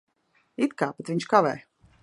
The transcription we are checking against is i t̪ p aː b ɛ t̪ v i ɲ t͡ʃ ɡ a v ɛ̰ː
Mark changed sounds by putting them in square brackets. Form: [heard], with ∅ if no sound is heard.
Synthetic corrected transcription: i t̪ [k] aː [p] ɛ t̪ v i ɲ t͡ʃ [k] a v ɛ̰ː